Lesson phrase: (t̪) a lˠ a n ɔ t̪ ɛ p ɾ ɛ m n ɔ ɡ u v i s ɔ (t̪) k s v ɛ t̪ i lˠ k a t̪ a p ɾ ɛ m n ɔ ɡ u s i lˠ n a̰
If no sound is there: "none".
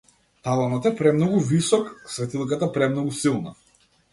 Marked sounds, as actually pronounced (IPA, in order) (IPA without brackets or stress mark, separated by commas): t̪, none